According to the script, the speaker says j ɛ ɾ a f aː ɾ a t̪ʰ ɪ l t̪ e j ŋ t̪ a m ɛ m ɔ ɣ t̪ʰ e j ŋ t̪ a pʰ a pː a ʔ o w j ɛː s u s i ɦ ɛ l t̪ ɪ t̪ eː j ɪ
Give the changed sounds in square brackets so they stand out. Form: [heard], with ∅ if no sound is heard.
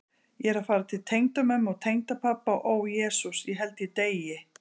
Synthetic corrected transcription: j ɛ ɾ a f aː ɾ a t̪ʰ ɪ l [t̪ʰ] e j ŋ t̪ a m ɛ m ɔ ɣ t̪ʰ e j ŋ t̪ a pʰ a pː a ʔ o w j ɛː s u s i ɦ ɛ l t̪ ɪ t̪ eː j ɪ